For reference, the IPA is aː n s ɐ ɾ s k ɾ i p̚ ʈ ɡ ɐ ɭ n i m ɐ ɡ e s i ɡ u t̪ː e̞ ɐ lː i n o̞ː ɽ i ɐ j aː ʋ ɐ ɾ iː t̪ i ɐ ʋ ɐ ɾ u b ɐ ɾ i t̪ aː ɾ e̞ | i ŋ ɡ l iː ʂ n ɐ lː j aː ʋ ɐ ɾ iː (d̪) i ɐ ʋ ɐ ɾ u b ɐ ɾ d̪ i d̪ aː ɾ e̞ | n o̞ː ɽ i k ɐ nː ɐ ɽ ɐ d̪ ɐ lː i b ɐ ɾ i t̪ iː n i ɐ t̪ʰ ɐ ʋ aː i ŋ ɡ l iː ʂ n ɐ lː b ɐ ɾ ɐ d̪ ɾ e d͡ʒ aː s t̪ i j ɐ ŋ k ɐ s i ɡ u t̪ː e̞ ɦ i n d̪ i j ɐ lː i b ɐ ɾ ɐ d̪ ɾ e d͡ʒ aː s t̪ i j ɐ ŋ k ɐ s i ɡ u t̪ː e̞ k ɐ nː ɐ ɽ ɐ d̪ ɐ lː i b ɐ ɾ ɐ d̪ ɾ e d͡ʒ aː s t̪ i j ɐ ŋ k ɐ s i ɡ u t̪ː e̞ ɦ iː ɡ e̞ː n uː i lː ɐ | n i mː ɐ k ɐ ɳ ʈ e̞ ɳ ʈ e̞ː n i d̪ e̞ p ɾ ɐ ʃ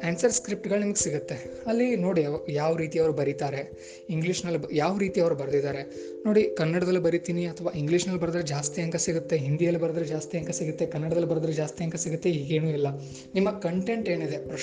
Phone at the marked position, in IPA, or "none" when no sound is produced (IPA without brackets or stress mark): t̪